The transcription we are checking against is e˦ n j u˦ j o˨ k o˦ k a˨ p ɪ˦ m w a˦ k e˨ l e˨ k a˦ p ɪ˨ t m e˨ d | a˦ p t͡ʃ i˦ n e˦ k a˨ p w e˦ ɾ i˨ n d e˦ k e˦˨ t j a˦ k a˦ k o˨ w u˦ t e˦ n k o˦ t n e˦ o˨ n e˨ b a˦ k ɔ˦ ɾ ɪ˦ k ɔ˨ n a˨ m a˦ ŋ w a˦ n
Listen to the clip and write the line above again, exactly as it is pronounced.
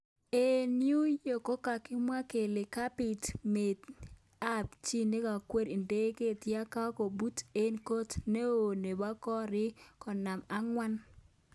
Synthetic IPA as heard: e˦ n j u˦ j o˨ k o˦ k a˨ k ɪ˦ m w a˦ k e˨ l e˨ k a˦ p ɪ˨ t m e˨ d | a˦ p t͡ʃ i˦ n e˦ k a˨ k w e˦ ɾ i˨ n d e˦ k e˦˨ t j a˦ k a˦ k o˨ b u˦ t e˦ n k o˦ t n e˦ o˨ n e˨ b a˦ k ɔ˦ ɾ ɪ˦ k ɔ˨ n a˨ m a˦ ŋ w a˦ n